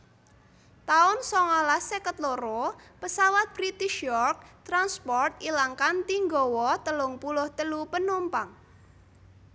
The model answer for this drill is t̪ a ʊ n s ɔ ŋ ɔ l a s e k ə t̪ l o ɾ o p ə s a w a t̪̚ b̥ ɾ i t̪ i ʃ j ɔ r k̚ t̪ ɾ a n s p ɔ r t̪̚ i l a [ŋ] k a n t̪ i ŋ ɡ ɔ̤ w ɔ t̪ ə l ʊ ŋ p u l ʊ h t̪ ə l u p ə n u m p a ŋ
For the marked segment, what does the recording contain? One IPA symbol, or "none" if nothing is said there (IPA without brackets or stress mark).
ŋ